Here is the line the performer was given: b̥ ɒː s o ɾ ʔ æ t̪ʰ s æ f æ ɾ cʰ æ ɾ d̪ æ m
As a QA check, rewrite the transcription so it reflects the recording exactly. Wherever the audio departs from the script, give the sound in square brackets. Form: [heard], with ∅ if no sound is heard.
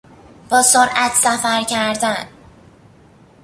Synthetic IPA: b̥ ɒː s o ɾ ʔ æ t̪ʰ s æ f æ ɾ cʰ æ ɾ d̪ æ [n]